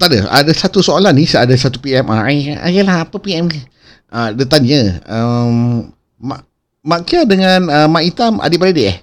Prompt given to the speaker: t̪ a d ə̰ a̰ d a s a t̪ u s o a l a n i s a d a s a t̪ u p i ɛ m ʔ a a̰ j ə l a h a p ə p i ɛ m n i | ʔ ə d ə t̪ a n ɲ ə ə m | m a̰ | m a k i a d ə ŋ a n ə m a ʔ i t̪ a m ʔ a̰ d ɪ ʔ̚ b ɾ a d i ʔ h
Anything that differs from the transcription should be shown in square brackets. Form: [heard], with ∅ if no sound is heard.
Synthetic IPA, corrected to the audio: t̪ a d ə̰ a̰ d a s a t̪ u s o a l a n i s a d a s a t̪ u p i ɛ m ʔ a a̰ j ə l a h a p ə p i ɛ m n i | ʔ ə d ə t̪ a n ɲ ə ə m | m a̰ | m a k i a d ə ŋ a n ə m a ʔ i t̪ a m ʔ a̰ d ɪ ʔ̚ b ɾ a d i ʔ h